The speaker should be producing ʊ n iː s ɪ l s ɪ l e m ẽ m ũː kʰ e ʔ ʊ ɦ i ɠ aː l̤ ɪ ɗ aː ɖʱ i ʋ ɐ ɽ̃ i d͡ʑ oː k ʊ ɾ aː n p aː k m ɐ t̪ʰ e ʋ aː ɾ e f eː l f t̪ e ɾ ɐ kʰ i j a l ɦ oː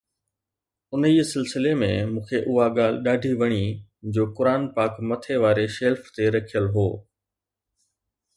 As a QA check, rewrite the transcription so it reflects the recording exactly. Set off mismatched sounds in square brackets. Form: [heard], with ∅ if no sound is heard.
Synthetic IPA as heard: ʊ n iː s ɪ l s ɪ l e m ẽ m ũː kʰ e ʔ ʊ ɦ [a] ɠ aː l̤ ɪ ɗ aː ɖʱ i ʋ ɐ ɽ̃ i d͡ʑ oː k ʊ ɾ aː n p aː k m ɐ t̪ʰ e ʋ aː ɾ e [ʃ] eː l f t̪ e ɾ ɐ kʰ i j [ə] l ɦ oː